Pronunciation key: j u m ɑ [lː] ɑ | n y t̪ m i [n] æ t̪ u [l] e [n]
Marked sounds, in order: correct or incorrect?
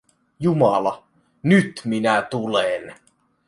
incorrect, correct, correct, correct

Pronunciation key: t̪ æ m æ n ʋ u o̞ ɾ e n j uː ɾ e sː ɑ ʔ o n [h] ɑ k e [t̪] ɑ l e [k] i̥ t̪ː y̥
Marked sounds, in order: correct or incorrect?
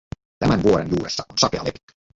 incorrect, incorrect, incorrect

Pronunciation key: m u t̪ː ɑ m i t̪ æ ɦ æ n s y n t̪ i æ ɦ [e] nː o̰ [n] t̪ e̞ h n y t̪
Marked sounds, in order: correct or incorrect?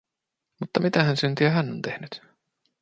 incorrect, correct

